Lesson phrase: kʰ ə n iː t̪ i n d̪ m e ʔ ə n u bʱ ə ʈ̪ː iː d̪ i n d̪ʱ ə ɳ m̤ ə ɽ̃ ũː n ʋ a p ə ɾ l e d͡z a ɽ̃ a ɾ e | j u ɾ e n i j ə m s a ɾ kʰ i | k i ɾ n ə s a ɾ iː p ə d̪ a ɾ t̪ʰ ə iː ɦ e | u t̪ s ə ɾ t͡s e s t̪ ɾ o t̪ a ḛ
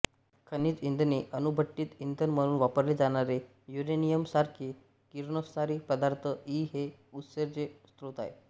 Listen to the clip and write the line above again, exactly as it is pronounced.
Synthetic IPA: kʰ ə n iː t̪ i n d̪ n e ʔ ə n u bʱ ə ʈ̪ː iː t̪ i n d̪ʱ ə n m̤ ə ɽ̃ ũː n ʋ a p ə ɾ l e d͡z a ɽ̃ a ɾ e | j u ɾ e n i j ə m s a ɾ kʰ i | k i ɾ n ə s a ɾ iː p ə d̪ a ɾ t̪ʰ ə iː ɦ e | u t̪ s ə ɾ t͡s e s t̪ ɾ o t̪ a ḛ